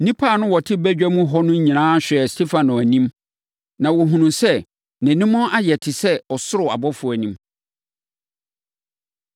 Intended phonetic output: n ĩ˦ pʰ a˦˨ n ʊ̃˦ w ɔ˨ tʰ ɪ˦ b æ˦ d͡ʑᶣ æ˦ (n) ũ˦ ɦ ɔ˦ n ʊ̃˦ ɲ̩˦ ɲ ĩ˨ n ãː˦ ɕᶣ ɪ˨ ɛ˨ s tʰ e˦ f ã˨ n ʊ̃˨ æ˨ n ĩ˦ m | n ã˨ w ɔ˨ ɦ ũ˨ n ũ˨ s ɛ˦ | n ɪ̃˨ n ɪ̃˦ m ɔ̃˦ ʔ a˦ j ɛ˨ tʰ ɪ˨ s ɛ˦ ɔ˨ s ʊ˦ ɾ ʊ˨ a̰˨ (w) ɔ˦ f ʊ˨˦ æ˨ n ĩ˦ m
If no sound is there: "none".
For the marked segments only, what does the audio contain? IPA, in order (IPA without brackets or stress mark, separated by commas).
m, b